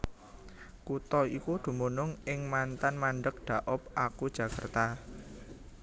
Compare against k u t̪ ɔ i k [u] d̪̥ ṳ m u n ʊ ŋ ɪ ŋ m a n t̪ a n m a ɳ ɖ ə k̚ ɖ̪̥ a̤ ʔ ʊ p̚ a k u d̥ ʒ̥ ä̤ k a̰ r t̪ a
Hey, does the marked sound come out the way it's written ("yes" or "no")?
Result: yes